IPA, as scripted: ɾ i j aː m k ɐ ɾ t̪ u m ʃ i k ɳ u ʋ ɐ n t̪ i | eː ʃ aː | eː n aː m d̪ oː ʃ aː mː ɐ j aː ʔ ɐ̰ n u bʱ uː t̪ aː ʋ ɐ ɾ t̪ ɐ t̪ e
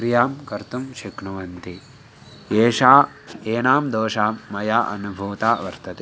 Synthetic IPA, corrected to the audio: ɾ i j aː m k ɐ ɾ t̪ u m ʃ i k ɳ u ʋ ɐ n t̪ i | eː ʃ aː | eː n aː m d̪ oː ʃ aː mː ɐ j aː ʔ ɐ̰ n u bʱ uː t̪ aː ʋ ɐ ɾ t̪ ɐ t̪ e